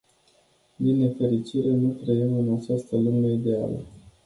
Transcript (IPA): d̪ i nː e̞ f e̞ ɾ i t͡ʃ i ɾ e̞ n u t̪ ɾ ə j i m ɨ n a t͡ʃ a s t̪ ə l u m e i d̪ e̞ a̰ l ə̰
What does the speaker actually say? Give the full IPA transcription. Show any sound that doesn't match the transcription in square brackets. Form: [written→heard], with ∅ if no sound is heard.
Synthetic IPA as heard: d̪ i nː e̞ f e̞ ɾ i t͡ʃ i ɾ e̞ n u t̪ ɾ ə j i m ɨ n a t͡ʃ a s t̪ ə l u m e i d̪ e̞ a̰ l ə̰